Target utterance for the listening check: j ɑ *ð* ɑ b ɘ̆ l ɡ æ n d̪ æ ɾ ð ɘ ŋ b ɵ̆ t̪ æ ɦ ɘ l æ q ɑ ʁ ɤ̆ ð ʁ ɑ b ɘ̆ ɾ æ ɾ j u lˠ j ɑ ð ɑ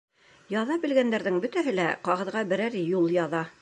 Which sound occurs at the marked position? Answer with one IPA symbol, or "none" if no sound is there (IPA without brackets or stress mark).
ð